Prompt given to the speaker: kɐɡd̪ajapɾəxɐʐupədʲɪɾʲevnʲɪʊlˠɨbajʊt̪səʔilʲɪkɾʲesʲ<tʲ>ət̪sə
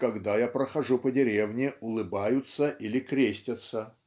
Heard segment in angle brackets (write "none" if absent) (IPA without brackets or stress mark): tʲ